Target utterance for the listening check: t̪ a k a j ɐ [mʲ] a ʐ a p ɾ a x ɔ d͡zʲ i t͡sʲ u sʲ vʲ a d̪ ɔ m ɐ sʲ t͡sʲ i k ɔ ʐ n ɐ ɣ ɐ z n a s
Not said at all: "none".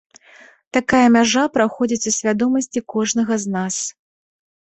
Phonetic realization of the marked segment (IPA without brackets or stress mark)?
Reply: mʲ